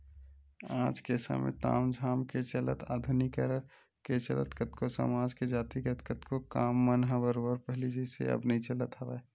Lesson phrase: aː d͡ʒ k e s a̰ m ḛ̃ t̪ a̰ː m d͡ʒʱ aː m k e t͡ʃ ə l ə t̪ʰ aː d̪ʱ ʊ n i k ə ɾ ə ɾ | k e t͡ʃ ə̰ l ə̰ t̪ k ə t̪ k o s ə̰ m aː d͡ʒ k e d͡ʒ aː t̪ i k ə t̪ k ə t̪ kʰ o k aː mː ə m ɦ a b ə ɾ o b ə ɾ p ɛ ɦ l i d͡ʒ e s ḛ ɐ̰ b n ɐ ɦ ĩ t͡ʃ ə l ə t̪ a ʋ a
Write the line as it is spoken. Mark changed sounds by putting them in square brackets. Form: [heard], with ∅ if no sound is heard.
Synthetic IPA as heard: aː d͡ʒ k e s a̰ m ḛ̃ t̪ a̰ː m d͡ʒʱ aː m k e t͡ʃ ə l ə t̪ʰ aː d̪ʱ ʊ n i k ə ɾ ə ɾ | k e t͡ʃ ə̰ l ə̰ t̪ k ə t̪ k o s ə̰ m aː d͡ʒ k e d͡ʒ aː t̪ i k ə t̪ k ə t̪ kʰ o k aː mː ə [n] ɦ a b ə ɾ o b ə ɾ p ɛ ɦ l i d͡ʒ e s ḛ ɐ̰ b n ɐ ɦ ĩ t͡ʃ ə l ə t̪ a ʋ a